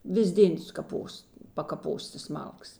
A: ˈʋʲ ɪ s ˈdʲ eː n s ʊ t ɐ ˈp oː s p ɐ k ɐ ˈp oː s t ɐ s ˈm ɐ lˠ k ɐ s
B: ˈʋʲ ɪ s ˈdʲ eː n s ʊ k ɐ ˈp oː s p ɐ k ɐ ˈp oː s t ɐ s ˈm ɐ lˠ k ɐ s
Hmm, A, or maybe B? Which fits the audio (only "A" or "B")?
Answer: B